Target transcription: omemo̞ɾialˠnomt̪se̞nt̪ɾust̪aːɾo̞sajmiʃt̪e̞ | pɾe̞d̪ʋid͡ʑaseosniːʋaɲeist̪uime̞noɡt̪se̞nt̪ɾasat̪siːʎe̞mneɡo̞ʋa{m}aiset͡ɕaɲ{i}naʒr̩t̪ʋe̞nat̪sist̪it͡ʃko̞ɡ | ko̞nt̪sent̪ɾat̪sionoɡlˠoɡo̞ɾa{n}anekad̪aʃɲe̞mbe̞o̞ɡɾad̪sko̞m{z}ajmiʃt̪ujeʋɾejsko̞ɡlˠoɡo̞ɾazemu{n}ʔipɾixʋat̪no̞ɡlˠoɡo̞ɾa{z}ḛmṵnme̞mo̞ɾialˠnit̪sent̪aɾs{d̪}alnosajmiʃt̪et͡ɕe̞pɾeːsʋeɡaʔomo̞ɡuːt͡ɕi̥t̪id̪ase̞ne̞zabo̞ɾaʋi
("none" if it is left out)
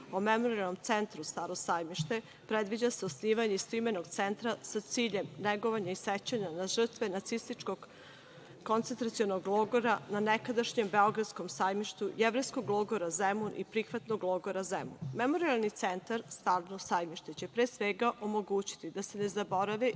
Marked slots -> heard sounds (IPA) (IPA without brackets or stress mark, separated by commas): ɲ, a, n, s, n, z, t̪